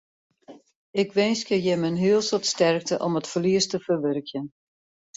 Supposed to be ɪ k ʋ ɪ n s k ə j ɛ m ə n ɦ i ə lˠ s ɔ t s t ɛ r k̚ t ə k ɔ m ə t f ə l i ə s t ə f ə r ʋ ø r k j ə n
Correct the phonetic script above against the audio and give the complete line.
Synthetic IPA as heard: ɪ k ʋ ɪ n s k ə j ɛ m ə n ɦ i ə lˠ s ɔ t s t ɛ r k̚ t ə ʔ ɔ m ə t f ə l i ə s t ə f ə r ʋ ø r k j ə n